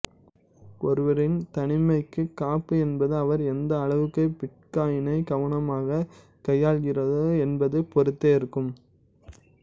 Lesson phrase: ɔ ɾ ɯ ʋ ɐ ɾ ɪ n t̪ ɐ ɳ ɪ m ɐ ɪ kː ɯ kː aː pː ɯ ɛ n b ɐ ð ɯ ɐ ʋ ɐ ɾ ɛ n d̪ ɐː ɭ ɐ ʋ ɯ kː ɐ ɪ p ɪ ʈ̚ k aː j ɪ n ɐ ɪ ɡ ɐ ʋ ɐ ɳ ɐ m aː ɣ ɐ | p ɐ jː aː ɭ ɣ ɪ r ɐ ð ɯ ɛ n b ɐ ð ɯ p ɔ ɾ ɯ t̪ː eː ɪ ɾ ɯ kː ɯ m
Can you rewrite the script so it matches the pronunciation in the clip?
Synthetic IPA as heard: ɔ ɾ ɯ ʋ ɐ ɾ ɪ n t̪ ɐ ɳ ɪ m ɐ ɪ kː ɯ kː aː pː ɯ ɛ n b ɐ ð ɯ ɐ ʋ ɐ ɾ ɛ n d̪ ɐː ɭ ɐ ʋ ɯ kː ɐ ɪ p ɪ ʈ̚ k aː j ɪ n ɐ ɪ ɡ ɐ ʋ ɐ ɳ ɐ m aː ɣ ɐ | k ɐ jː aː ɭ ɣ ɪ r ɐ ð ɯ ɛ n b ɐ ð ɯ p ɔ ɾ ɯ t̪ː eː ɪ ɾ ɯ kː ɯ m

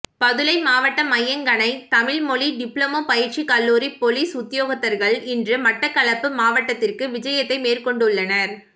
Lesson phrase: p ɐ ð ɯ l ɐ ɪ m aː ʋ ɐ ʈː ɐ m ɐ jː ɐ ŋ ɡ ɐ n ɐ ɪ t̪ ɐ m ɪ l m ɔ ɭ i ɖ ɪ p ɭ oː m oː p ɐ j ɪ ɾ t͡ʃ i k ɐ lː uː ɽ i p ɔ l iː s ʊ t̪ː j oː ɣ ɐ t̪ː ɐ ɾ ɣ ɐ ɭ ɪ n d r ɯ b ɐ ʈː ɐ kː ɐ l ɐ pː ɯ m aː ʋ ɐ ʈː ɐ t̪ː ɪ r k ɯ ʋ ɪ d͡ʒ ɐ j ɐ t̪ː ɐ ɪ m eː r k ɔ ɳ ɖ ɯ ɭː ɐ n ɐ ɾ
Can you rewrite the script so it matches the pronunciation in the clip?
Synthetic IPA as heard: p ɐ ð ɯ l ɐ ɪ m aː ʋ ɐ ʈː ɐ m ɐ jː ɐ ŋ ɡ ɐ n ɐ ɪ t̪ ɐ m ɪ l m ɔ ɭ i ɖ ɪ p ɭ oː m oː p ɐ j ɪ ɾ t͡ʃ i k ɐ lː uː ɾ i p ɔ l iː s ʊ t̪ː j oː ɣ ɐ t̪ː ɐ ɾ ɣ ɐ ɭ ɪ n d r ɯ m ɐ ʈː ɐ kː ɐ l ɐ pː ɯ m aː ʋ ɐ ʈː ɐ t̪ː ɪ r k ɯ ʋ ɪ d͡ʒ ɐ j ɐ t̪ː ɐ ɪ m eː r k ɔ ɳ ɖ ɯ ɭː ɐ n ɐ ɾ

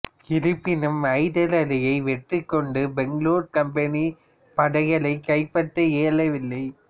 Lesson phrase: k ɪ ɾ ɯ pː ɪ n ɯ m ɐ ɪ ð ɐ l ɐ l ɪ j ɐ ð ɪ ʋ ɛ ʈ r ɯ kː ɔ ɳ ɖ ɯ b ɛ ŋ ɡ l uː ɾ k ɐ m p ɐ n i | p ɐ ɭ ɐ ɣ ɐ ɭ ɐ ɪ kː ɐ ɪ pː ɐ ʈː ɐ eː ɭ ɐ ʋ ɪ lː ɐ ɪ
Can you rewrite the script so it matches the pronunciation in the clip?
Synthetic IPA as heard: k ɪ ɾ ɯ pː ɪ n ɯ m ɐ ɪ ð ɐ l ɐ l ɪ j ɐ ɪ ʋ ɛ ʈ r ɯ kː ɔ ɳ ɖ ɯ b ɛ ŋ ɡ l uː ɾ k ɐ m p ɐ n i | p ɐ ɽ ɐ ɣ ɐ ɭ ɐ ɪ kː ɐ ɪ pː ɐ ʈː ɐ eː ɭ ɐ ʋ ɪ lː ɐ ɪ

